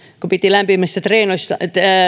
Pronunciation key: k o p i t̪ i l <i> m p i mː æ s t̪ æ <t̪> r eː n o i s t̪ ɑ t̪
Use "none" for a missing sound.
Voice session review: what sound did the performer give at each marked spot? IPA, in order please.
æ, t̪

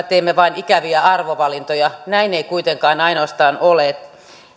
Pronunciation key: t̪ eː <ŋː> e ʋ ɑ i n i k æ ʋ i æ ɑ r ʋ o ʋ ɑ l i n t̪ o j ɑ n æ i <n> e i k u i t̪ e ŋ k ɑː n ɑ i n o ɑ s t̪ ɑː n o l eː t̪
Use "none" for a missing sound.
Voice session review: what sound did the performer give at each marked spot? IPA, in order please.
mː, n

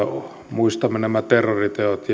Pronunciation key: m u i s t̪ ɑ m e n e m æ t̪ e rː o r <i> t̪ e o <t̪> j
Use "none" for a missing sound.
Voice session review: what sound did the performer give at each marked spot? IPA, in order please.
i, t̪

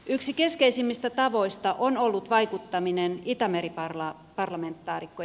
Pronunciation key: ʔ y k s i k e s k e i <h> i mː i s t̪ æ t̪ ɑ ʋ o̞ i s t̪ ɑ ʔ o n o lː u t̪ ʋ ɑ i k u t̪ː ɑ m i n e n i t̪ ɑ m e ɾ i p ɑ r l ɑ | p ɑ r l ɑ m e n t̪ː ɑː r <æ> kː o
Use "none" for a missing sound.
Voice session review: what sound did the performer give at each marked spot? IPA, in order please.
s, i

